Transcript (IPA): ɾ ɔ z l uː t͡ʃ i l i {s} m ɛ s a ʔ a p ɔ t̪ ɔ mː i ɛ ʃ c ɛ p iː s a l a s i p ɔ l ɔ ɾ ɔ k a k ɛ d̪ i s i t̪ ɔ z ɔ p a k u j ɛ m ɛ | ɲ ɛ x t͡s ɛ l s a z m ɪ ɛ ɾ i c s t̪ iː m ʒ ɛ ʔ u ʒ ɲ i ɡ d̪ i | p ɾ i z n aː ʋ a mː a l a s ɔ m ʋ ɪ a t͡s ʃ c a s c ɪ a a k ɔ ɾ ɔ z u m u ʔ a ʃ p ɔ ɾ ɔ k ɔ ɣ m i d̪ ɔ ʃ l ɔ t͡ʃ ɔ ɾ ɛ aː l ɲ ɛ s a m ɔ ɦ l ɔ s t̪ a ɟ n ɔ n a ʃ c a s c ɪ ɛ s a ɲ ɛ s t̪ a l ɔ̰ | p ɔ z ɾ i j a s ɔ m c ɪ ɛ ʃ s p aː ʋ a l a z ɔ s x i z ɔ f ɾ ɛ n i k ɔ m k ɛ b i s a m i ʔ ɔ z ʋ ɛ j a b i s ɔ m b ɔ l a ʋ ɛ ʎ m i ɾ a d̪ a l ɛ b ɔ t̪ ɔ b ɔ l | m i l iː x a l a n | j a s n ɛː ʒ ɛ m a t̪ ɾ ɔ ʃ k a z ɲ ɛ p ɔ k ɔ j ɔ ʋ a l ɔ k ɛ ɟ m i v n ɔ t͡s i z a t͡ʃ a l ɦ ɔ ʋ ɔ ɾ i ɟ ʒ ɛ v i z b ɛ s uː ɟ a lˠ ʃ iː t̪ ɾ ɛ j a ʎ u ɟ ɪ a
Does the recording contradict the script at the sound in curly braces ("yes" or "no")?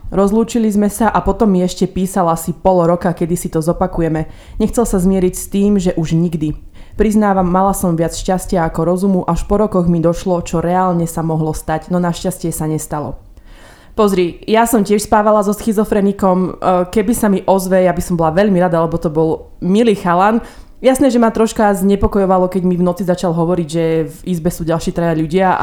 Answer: yes